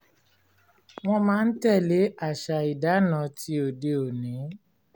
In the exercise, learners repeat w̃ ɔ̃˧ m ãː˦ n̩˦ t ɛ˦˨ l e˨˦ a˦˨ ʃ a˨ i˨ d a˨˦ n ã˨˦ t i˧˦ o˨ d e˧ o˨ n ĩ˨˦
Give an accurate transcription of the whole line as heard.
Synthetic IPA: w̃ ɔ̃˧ m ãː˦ n̩˦ t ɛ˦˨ l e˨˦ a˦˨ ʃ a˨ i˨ d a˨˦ n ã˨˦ t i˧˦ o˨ d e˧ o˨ n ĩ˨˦